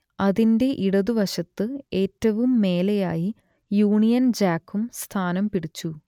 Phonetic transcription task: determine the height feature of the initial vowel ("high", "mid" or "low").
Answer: low